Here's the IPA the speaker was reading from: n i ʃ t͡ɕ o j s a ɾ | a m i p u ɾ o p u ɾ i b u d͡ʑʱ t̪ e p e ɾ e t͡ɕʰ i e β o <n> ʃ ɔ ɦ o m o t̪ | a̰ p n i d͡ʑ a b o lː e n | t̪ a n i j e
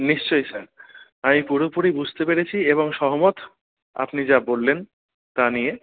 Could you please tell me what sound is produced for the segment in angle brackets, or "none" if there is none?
ŋ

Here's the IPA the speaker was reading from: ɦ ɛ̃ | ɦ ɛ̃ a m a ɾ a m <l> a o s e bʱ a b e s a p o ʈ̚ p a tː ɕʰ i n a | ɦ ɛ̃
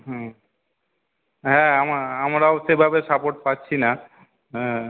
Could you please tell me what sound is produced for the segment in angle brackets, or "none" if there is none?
ɾ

